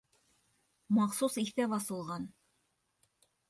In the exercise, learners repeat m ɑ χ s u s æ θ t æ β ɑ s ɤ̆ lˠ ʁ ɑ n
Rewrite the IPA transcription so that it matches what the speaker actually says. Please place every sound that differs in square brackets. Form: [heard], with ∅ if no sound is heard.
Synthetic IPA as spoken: m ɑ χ s u s [i] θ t æ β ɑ s ɤ̆ lˠ ʁ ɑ n

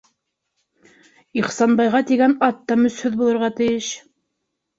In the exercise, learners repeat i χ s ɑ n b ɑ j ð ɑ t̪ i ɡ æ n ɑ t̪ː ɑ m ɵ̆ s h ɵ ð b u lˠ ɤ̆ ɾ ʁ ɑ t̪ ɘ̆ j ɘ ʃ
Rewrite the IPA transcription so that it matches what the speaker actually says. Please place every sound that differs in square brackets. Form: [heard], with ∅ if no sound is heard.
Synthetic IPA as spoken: i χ s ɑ n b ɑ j [ʁ] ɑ t̪ i ɡ æ n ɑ t̪ː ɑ m ɵ̆ s h ɵ ð b u lˠ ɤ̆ ɾ ʁ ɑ t̪ ɘ̆ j ɘ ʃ

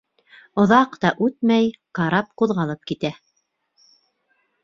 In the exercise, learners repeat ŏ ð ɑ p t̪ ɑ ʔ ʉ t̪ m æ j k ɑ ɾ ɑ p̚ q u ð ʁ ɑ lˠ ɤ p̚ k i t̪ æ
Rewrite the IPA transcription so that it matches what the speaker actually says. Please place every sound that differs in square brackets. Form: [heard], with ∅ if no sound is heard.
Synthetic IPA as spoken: ŏ ð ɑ [q] t̪ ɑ ʔ ʉ t̪ m æ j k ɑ ɾ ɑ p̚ q u ð ʁ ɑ lˠ ɤ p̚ k i t̪ æ

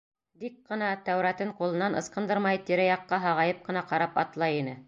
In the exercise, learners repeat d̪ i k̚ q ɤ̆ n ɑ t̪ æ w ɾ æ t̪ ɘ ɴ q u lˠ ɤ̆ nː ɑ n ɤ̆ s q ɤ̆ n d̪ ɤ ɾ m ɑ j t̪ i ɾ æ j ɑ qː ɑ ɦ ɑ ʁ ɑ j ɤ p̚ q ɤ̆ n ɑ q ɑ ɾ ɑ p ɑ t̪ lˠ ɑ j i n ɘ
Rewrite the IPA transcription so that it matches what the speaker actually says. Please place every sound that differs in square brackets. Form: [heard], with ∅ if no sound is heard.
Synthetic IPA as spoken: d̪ i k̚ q ɤ̆ n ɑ t̪ æ w ɾ æ t̪ ɘ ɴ q u lˠ ɤ̆ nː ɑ n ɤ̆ s q ɤ̆ n d̪ ɤ ɾ m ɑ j t̪ i ɾ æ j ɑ qː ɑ ɦ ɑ ʁ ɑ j ɤ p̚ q ɤ̆ n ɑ q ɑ ɾ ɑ p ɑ t̪ lˠ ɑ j i n ɘ

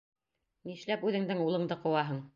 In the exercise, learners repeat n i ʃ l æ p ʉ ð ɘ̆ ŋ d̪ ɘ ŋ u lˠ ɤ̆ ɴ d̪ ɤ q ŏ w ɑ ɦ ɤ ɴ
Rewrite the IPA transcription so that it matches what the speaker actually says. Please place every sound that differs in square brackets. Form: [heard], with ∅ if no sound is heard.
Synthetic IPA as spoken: n i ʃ l æ p ʉ ð ɘ̆ ŋ d̪ ɘ ŋ u lˠ ɤ̆ ɴ d̪ ɤ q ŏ w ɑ ɦ ɤ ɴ

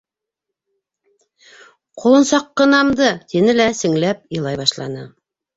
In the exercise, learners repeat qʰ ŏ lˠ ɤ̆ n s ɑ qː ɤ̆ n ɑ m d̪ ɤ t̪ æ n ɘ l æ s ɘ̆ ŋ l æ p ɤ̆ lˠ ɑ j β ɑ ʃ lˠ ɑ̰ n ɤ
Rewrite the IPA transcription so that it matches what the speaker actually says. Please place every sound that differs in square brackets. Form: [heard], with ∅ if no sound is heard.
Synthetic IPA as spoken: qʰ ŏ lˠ ɤ̆ n s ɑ qː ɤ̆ n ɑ m d̪ ɤ t̪ [i] n ɘ l æ s ɘ̆ ŋ l æ p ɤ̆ lˠ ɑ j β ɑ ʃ lˠ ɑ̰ n ɤ

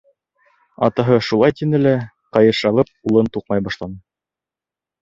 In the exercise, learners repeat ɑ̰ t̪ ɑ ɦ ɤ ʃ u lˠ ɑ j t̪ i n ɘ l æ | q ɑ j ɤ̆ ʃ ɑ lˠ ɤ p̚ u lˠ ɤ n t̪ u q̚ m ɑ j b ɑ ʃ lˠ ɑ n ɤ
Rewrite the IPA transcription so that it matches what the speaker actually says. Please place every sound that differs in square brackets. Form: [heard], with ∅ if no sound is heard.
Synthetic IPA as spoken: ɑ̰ t̪ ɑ ɦ ɤ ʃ u lˠ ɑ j t̪ i n ɘ l æ | q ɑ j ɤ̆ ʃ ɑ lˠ ɤ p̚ u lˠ ɤ n t̪ u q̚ m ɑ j b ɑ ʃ lˠ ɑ n ɤ

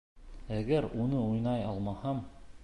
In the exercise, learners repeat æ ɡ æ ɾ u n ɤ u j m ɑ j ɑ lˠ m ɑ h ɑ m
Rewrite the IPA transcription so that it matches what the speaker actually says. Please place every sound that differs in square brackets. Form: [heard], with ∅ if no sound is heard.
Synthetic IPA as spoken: æ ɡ æ ɾ u n ɤ u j [n] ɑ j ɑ lˠ m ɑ h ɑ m

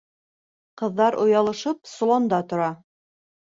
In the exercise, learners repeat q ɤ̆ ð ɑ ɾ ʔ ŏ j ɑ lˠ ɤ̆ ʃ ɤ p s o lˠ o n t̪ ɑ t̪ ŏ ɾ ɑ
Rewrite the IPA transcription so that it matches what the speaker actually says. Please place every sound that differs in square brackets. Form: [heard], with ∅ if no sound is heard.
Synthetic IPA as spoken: q ɤ̆ [ðː] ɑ ɾ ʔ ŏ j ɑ lˠ ɤ̆ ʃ ɤ p s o lˠ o n [d̪] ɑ t̪ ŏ ɾ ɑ

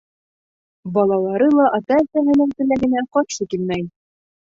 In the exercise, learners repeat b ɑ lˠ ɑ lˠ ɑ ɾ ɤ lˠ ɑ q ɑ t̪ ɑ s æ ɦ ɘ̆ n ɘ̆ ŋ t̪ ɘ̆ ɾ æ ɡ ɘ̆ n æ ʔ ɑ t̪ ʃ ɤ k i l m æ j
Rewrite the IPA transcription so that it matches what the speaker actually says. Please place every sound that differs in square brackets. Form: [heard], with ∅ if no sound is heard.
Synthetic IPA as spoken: b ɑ lˠ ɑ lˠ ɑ ɾ ɤ lˠ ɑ [ʔ] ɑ t̪ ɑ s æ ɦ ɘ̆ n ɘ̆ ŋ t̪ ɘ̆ [l] æ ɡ ɘ̆ n æ [q] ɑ t̪ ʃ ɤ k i l m æ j

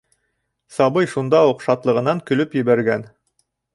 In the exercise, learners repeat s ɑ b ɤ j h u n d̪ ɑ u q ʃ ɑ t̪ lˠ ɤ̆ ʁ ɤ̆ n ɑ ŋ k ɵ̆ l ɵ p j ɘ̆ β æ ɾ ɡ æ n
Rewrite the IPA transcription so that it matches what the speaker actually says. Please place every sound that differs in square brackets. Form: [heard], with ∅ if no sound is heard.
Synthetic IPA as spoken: s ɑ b ɤ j [ʃ] u n d̪ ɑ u q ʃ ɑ t̪ lˠ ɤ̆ ʁ ɤ̆ n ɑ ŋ k ɵ̆ l ɵ p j ɘ̆ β æ ɾ ɡ æ n

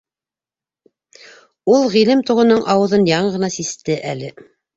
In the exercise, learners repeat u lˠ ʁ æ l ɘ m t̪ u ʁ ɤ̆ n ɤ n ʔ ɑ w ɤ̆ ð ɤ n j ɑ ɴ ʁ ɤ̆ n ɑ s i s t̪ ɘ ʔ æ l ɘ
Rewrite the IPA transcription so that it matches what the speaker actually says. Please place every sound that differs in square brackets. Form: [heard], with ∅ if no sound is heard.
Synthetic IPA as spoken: u lˠ ʁ [i] l ɘ m t̪ u ʁ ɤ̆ n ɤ [ɴ] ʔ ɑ w ɤ̆ ð ɤ n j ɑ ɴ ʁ ɤ̆ n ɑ s i s t̪ ɘ ʔ æ l ɘ

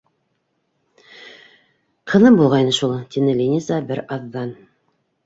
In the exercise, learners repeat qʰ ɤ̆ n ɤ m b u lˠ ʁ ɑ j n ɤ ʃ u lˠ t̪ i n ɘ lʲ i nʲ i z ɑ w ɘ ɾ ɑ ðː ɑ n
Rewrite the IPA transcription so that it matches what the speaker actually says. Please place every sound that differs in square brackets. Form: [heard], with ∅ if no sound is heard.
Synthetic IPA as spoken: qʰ ɤ̆ n ɤ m b u lˠ ʁ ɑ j n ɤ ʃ u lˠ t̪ i n ɘ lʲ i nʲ i z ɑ [b] ɘ ɾ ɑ ðː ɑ n

